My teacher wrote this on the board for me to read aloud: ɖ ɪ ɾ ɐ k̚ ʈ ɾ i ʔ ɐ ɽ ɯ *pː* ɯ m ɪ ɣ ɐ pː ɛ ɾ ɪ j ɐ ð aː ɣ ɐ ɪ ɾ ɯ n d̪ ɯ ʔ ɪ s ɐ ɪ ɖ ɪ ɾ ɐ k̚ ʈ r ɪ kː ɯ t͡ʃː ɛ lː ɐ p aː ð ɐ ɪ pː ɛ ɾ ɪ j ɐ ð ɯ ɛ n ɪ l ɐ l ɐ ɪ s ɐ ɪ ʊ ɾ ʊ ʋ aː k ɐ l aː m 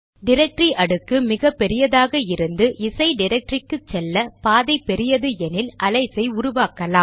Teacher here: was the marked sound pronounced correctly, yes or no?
no